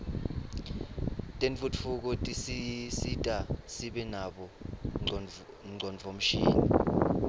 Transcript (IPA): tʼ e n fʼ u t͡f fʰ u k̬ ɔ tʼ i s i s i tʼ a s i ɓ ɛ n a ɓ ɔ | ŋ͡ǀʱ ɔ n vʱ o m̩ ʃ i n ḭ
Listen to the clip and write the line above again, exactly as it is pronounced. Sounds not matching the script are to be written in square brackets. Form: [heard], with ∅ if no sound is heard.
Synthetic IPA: tʼ e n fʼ u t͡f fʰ u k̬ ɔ tʼ i s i s i tʼ a s i ɓ ɛ n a ɓ ɔ | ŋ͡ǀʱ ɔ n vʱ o m̩ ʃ [iː] n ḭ